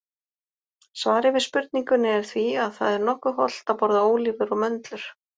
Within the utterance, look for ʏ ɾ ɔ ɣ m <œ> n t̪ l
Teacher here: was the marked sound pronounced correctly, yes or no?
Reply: yes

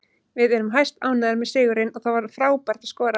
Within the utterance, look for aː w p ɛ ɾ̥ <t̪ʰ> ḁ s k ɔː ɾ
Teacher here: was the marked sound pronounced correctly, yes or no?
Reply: no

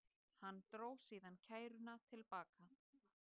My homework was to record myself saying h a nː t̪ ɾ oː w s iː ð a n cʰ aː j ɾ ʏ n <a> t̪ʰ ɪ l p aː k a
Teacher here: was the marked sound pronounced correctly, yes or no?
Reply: yes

